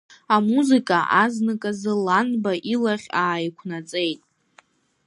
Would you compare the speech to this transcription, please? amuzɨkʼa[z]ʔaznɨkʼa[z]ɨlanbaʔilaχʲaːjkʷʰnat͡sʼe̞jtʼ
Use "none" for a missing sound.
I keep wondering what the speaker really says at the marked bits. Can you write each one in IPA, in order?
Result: none, z

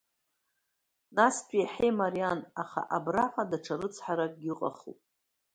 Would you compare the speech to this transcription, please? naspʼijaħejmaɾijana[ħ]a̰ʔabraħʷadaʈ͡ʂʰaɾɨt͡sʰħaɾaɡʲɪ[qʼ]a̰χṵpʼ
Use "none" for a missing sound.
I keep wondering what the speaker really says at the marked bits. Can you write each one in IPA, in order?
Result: χ, qʼ

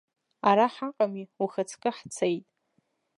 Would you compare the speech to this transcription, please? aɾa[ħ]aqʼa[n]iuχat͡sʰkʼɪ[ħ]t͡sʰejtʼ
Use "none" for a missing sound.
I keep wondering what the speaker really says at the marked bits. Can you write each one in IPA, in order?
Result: ħ, m, ħ

